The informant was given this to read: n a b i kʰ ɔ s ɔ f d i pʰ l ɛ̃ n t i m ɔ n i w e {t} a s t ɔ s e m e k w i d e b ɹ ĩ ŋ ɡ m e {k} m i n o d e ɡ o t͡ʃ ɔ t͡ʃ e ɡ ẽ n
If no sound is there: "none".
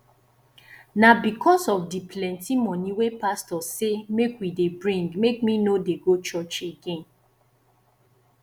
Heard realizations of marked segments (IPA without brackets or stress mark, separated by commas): p, k